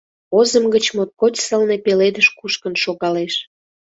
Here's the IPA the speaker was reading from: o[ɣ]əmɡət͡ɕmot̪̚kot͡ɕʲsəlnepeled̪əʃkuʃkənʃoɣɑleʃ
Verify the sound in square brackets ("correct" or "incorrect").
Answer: incorrect